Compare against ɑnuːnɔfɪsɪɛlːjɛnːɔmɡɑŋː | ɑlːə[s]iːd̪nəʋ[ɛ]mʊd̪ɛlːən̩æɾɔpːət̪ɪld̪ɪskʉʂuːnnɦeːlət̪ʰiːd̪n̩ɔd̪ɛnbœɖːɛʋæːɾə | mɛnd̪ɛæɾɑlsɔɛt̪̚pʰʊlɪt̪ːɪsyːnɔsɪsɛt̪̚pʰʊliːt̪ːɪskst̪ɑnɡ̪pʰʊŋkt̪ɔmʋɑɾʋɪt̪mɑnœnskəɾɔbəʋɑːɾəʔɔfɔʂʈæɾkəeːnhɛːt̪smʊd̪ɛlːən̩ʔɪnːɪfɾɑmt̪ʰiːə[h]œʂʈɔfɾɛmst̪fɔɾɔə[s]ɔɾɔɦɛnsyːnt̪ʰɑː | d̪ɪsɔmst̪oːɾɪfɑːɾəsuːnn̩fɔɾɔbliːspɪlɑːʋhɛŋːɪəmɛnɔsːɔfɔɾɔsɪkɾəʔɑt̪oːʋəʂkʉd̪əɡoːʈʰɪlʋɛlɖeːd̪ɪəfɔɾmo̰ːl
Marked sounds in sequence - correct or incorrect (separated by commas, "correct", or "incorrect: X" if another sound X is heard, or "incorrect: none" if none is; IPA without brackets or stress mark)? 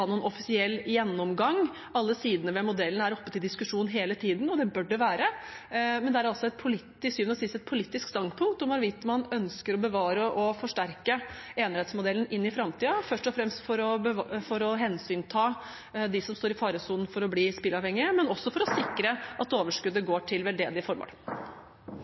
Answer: correct, correct, incorrect: f, incorrect: f